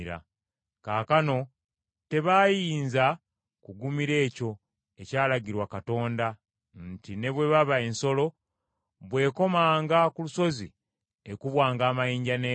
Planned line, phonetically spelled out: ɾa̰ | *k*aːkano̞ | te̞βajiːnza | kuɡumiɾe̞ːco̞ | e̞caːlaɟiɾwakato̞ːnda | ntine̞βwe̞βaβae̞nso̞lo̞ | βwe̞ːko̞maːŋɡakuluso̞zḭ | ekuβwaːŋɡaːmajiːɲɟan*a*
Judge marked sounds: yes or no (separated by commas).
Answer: yes, no